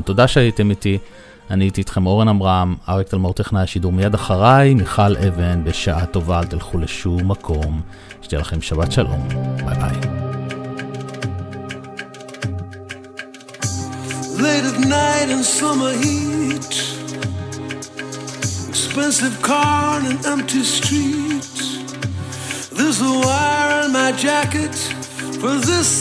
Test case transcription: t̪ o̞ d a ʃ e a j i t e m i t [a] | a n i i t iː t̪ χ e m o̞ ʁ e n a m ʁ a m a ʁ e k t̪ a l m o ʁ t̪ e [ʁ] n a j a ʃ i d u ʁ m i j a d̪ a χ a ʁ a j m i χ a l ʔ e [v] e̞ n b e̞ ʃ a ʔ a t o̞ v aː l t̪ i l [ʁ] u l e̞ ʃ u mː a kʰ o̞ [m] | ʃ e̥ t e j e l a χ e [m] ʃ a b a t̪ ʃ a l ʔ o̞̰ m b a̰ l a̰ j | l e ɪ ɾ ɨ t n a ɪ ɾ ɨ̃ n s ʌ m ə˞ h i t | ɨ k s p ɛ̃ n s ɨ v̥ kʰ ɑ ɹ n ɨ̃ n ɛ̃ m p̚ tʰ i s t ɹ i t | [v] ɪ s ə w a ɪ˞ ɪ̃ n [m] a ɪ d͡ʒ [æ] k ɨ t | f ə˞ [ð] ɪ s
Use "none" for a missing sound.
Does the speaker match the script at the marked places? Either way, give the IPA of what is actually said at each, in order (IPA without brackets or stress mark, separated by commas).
i, χ, v, χ, m, m, ð, m, æ, ð